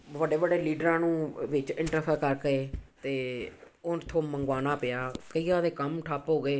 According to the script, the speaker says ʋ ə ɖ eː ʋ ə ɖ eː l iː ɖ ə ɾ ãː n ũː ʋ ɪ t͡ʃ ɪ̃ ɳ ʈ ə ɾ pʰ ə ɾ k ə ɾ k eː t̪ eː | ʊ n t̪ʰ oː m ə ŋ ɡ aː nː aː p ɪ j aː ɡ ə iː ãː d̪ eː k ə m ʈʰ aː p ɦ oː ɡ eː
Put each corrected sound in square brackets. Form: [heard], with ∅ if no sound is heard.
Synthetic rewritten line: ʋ ə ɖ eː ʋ ə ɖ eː l iː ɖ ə ɾ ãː n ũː ʋ ɪ t͡ʃ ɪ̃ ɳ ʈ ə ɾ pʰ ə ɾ k ə ɾ k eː t̪ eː | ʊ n t̪ʰ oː m ə ŋ ɡ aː [n] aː p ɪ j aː [k] ə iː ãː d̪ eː k ə m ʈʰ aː p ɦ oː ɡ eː

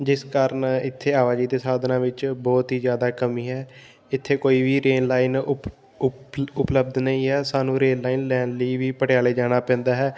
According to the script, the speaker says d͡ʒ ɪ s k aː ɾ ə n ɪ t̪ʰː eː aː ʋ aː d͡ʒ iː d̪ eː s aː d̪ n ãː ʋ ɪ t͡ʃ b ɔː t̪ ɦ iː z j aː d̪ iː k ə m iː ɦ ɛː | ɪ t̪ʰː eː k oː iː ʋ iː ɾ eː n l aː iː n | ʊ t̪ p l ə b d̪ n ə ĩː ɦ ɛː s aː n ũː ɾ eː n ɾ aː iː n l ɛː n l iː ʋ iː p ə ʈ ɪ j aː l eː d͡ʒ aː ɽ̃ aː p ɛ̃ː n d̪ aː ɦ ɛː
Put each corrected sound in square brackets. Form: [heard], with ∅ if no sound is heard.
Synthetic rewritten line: d͡ʒ ɪ s k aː ɾ ə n ɪ t̪ʰː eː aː ʋ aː d͡ʒ iː d̪ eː s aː d̪ n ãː ʋ ɪ t͡ʃ b ɔː t̪ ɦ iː z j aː d̪ [aː] k ə m iː ɦ ɛː | ɪ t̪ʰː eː k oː iː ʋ iː ɾ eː n l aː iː n | ʊ [∅] p l ə b d̪ n ə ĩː ɦ ɛː s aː n ũː ɾ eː n [l] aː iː n l ɛː n l iː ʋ iː p ə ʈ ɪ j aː l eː d͡ʒ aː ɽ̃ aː p ɛ̃ː n d̪ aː ɦ ɛː

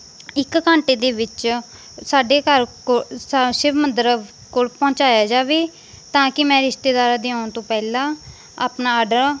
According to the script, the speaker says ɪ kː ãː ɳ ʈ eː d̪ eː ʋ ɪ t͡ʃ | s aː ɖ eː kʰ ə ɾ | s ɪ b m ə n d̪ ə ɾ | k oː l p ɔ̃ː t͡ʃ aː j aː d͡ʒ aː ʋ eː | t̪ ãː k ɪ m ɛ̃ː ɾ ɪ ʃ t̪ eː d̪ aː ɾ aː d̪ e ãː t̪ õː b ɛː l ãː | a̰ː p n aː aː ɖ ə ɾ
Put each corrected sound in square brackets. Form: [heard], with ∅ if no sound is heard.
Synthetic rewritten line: ɪ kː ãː ɳ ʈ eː d̪ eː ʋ ɪ t͡ʃ | s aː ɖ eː [k] ə ɾ | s ɪ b m ə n d̪ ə ɾ | k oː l p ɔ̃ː t͡ʃ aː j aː d͡ʒ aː ʋ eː | t̪ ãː k ɪ m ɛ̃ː ɾ ɪ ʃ t̪ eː d̪ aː ɾ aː d̪ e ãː t̪ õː [p] ɛː l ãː | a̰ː p n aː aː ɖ ə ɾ

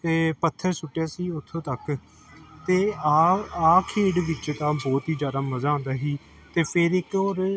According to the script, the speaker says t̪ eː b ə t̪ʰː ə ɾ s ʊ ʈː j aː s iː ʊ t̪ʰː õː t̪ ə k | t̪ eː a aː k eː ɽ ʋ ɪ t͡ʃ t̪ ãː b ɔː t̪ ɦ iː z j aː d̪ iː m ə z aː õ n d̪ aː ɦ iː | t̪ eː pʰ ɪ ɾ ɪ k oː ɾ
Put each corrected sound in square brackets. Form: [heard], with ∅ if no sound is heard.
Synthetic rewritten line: t̪ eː [p] ə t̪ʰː ə ɾ s ʊ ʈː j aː s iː ʊ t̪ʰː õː t̪ ə k | t̪ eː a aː [kʰ] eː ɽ ʋ ɪ t͡ʃ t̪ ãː b ɔː t̪ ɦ iː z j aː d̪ [aː] m ə z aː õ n d̪ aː ɦ iː | t̪ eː pʰ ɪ ɾ ɪ k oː ɾ

